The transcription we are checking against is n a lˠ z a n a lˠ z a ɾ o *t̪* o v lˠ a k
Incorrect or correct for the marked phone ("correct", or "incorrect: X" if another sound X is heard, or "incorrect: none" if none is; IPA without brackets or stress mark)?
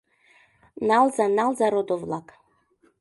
incorrect: d̪